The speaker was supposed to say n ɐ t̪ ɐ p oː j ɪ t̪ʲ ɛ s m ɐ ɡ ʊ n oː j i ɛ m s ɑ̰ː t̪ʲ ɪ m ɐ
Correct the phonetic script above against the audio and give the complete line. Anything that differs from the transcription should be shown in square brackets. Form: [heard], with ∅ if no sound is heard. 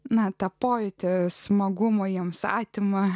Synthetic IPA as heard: n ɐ t̪ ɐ p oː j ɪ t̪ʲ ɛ s m ɐ ɡ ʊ [m] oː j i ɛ m s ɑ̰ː t̪ʲ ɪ m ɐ

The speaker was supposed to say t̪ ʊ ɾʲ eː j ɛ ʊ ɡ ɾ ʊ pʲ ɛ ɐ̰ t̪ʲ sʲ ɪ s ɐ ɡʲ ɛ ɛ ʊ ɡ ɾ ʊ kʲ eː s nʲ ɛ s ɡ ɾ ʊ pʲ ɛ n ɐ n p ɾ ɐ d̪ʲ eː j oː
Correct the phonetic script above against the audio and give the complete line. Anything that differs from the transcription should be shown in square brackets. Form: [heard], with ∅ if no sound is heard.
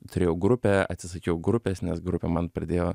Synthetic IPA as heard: t̪ ʊ ɾʲ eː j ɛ ʊ ɡ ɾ ʊ pʲ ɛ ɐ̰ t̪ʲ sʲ ɪ s ɐ [kʲ] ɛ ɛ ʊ ɡ ɾ ʊ [pʲ] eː s nʲ ɛ s ɡ ɾ ʊ pʲ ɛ [m] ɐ n p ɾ ɐ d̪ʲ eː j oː

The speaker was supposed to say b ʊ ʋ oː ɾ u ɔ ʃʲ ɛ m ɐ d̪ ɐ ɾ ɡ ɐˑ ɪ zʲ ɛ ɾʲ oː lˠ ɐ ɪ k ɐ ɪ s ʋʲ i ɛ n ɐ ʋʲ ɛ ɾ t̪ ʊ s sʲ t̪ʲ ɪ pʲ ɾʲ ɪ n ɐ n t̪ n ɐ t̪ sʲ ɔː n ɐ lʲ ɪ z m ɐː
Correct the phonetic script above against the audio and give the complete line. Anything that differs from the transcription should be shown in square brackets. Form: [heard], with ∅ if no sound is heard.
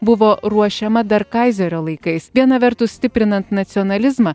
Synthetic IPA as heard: b ʊ ʋ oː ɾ u ɔ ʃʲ ɛ m ɐ d̪ ɐ ɾ [k] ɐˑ ɪ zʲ ɛ ɾʲ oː lˠ ɐ ɪ k ɐ ɪ s ʋʲ i ɛ n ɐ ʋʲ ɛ ɾ t̪ ʊ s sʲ t̪ʲ ɪ pʲ ɾʲ ɪ n ɐ n t̪ n ɐ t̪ sʲ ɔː n ɐ lʲ ɪ z m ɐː

